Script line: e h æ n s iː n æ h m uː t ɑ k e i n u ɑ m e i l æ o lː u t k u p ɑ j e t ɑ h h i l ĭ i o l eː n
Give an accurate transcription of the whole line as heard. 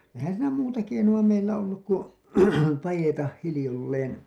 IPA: e h æ n s iː n æ m uː t ɑ k e i n u ɑ m e i lː æ o lː u k k u p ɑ j e t ɑ h h i l ĭ j o lː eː n